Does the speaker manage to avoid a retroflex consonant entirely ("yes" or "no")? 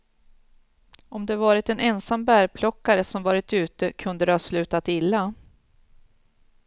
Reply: yes